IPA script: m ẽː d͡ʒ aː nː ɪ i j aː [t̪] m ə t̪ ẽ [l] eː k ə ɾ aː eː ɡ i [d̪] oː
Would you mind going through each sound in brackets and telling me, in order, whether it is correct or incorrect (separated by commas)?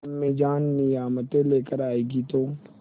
incorrect, correct, incorrect